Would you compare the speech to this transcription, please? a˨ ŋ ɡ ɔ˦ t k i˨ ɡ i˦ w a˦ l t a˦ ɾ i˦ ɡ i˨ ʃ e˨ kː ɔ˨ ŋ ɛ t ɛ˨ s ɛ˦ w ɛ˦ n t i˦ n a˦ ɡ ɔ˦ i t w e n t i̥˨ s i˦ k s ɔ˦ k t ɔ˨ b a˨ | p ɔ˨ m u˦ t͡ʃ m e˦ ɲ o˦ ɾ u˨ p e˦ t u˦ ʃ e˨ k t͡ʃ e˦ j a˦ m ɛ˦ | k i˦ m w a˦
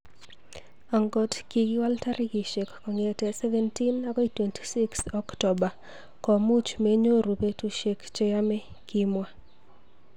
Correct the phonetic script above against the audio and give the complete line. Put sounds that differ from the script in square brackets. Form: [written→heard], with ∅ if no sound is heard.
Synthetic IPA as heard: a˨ ŋ ɡ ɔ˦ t k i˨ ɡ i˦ w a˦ l t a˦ ɾ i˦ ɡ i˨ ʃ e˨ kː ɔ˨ ŋ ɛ t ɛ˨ s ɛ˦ [w→v] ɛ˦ n t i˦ n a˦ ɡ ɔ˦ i t w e n t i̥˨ s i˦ k s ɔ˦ k t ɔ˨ b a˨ | [p→k] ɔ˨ m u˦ t͡ʃ m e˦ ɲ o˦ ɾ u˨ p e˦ t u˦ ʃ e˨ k t͡ʃ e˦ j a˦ m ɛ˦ | k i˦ m w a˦